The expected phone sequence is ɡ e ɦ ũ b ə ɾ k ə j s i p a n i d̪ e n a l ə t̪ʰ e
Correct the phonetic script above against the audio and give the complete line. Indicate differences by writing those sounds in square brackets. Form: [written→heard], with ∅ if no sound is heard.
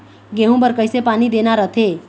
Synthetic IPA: ɡ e ɦ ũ b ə ɾ k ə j s [i→e] p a n i d̪ e n a [l→ɾ] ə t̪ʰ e